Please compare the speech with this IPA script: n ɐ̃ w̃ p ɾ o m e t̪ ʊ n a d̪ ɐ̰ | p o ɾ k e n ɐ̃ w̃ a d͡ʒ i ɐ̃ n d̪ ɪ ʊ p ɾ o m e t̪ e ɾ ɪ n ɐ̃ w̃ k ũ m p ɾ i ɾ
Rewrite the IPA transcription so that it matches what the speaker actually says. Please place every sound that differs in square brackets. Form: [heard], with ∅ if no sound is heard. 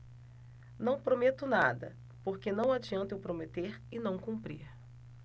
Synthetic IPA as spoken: n ɐ̃ w̃ p ɾ o m e t̪ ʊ n a d̪ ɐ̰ | p o ɾ k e n ɐ̃ w̃ a d͡ʒ i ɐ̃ n [t̪] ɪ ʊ p ɾ o m e t̪ e ɾ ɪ n ɐ̃ w̃ k ũ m p ɾ i ɾ